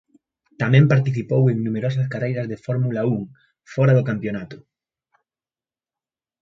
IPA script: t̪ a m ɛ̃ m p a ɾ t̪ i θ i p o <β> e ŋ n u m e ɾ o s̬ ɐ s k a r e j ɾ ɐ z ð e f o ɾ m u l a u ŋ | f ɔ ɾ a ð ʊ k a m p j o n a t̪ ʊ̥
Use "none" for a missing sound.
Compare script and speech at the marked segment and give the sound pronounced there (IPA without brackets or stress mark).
w